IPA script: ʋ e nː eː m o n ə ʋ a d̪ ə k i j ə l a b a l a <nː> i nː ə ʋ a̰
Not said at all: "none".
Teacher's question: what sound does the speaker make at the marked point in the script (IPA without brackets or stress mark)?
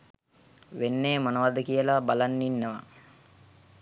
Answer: nː